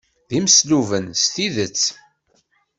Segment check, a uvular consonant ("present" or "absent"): absent